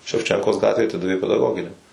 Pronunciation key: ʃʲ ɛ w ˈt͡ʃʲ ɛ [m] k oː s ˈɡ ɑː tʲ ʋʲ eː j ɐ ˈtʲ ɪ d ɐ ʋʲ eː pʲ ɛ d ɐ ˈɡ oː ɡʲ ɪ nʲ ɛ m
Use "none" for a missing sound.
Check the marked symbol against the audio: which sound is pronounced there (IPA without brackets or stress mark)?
ŋ